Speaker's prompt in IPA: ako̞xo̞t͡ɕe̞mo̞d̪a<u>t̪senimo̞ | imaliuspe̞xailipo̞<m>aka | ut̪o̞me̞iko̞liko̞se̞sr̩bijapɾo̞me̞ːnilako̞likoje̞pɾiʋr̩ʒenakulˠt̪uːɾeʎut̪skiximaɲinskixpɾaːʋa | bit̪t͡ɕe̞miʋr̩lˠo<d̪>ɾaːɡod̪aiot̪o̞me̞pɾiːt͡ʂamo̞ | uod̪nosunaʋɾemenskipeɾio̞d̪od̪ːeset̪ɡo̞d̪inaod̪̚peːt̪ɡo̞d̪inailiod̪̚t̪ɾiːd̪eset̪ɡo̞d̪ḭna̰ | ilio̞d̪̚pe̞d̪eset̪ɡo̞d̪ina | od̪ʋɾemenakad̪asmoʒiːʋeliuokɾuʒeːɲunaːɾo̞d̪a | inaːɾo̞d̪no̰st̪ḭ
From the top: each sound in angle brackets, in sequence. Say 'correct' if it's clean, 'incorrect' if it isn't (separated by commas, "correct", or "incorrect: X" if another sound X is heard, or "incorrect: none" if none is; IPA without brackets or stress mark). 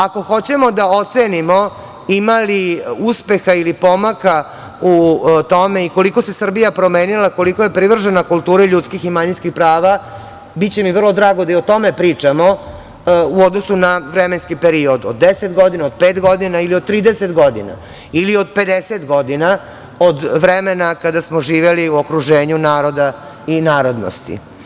incorrect: o, correct, correct